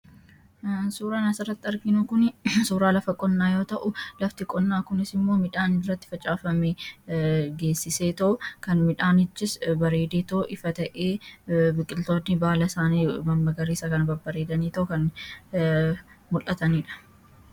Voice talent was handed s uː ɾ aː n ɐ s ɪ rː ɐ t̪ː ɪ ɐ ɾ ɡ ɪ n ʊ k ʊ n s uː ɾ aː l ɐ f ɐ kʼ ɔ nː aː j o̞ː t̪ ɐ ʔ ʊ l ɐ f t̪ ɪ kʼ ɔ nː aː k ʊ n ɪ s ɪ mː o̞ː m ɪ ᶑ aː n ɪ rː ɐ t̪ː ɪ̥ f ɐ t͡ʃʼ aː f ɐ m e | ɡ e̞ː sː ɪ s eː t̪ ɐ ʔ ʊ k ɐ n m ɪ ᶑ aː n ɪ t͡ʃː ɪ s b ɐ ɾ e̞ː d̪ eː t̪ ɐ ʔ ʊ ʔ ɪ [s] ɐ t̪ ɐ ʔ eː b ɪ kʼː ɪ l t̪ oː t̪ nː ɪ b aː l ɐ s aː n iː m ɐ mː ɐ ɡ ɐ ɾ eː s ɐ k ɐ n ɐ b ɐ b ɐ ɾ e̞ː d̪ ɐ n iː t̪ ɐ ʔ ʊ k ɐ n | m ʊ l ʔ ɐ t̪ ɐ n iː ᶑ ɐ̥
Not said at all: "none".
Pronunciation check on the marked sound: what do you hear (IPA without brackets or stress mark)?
f